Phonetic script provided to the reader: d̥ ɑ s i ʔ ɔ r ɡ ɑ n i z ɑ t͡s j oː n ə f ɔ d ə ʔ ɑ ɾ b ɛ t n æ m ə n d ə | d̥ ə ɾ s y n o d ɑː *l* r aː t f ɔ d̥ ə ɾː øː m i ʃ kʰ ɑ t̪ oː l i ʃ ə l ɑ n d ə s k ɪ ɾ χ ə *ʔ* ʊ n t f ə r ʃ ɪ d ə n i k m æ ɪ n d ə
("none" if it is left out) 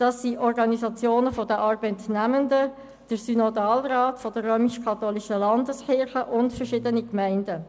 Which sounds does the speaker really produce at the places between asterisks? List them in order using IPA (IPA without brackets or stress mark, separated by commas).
l, ʔ